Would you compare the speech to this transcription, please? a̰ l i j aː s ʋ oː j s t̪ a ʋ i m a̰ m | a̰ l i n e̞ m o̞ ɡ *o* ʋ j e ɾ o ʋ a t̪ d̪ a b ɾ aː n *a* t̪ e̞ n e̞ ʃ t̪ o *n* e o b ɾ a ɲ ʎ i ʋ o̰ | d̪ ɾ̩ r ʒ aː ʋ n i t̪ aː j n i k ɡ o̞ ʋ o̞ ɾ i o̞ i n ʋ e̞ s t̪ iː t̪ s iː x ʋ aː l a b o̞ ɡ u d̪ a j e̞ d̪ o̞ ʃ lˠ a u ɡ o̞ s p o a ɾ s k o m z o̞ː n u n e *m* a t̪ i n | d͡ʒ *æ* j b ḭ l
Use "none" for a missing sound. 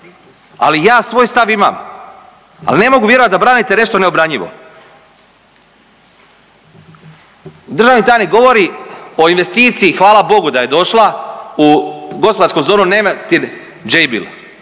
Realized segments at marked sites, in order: u, i, n, m, e

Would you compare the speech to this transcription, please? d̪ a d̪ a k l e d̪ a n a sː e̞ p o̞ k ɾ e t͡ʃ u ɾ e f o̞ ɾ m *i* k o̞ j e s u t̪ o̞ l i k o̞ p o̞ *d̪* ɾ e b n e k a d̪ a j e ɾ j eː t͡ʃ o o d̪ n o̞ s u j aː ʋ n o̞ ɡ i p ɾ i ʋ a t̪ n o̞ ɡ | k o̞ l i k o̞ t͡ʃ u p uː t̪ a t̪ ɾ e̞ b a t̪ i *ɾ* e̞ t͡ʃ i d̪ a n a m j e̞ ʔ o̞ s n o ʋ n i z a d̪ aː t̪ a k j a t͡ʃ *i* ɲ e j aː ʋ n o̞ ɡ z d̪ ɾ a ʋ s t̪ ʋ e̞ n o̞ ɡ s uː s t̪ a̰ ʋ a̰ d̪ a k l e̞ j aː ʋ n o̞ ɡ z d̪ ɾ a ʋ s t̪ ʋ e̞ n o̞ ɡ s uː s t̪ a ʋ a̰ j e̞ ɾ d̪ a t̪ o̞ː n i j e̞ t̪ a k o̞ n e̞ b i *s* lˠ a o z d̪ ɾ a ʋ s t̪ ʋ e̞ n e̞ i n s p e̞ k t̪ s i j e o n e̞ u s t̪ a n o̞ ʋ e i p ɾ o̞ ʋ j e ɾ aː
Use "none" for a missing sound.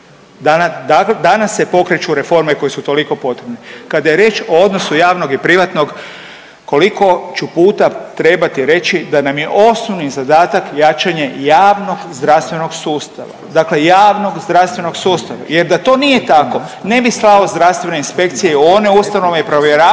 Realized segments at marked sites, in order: e, t̪, ɾ, a, s

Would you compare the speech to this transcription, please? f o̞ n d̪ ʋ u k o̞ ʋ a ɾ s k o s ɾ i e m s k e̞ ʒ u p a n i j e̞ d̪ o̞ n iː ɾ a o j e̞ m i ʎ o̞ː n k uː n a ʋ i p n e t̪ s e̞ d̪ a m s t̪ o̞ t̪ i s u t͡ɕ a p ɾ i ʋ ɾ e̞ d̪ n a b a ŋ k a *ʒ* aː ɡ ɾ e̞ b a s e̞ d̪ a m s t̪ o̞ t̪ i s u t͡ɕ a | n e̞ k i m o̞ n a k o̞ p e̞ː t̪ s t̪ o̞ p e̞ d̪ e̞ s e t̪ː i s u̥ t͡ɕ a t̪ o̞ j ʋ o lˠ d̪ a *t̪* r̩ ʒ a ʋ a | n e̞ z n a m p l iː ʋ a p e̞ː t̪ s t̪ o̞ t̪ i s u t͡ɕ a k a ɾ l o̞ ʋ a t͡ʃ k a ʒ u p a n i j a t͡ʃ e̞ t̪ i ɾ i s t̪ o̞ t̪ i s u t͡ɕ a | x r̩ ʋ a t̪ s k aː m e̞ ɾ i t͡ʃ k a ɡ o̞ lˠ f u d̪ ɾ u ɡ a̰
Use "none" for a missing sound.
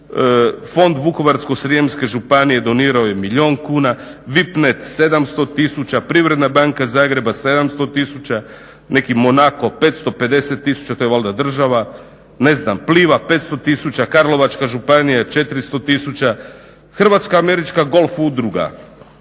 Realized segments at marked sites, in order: z, d̪

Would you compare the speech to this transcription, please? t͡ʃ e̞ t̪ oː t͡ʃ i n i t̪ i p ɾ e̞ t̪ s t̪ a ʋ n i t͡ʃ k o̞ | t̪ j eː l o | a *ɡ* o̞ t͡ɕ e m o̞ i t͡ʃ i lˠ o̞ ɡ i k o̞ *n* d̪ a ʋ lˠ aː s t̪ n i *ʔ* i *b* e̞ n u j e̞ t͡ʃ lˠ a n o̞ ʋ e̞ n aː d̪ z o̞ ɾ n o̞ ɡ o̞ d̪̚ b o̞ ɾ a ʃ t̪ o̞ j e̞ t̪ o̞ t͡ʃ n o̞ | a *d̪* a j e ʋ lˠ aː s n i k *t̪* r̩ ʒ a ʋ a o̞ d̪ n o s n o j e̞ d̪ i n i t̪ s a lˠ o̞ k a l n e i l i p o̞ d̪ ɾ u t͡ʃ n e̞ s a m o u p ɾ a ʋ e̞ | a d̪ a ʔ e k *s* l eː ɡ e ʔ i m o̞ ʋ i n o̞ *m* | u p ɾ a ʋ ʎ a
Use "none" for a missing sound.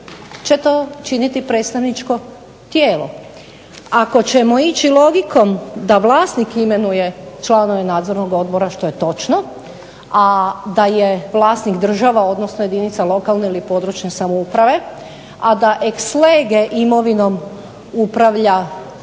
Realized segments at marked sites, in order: k, m, k, m, d̪, d̪, s, m

